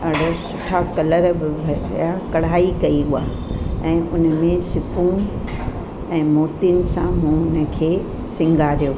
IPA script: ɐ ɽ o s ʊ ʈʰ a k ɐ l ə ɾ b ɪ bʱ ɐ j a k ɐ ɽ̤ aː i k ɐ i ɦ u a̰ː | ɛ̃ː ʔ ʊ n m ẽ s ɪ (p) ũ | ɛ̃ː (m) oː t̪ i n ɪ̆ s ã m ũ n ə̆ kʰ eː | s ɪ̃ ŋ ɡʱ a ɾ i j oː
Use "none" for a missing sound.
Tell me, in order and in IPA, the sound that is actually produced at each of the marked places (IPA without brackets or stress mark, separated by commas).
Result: p, m